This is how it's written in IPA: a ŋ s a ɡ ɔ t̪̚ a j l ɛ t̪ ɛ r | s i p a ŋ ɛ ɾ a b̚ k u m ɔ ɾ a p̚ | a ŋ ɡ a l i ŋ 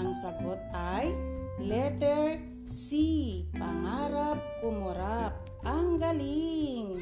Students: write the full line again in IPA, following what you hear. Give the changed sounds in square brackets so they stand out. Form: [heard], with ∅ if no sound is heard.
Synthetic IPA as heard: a ŋ s a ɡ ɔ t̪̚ a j l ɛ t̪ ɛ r | s i p a ŋ [a] ɾ a [p̚] k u m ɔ ɾ a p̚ | a ŋ ɡ a l i ŋ